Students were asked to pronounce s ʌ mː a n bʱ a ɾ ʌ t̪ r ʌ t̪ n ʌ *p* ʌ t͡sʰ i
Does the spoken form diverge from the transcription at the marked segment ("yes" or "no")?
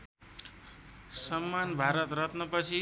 no